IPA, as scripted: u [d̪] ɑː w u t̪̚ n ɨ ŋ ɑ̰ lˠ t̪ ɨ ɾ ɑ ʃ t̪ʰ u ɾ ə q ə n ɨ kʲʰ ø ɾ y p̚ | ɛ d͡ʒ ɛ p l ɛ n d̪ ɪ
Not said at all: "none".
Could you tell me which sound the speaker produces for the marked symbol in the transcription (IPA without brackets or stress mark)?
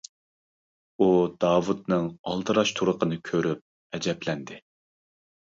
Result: d̪